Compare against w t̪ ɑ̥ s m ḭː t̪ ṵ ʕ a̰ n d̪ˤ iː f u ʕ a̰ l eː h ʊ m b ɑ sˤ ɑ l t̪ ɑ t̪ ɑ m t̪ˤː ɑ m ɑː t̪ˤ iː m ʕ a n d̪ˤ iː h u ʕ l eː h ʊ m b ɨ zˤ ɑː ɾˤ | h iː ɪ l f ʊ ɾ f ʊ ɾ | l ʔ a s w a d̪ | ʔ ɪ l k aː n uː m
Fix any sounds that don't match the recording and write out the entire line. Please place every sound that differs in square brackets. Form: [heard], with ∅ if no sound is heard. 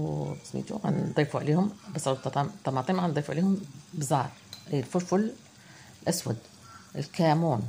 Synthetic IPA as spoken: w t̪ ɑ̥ s m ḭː t̪ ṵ ʕ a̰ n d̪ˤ iː f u ʕ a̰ l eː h ʊ m b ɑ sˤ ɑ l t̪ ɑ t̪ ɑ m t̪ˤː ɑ m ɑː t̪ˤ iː m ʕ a n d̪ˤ iː [f] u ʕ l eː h ʊ m b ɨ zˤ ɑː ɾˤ | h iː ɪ l f ʊ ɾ f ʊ [l] | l ʔ a s w a d̪ | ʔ ɪ l k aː [m] uː [n]